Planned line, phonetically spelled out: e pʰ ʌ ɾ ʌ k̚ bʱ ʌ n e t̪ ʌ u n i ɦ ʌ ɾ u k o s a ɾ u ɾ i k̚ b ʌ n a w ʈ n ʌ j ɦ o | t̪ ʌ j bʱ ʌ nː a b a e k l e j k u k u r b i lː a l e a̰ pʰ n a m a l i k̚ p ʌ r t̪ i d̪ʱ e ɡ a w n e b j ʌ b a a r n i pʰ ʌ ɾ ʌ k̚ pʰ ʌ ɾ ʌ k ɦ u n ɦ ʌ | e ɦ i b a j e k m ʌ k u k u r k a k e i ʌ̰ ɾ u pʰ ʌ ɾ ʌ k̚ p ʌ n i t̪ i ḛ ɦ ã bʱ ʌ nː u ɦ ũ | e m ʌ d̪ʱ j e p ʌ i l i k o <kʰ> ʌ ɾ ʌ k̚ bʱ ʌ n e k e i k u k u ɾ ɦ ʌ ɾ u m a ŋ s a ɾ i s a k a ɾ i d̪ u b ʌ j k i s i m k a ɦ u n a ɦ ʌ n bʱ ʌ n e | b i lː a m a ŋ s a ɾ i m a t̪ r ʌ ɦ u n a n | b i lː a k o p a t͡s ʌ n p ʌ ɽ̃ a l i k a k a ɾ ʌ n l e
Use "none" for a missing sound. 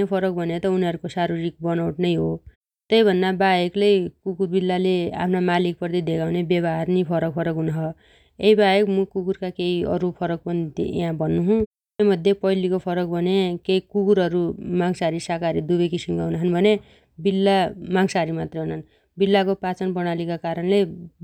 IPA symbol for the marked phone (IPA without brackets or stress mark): pʰ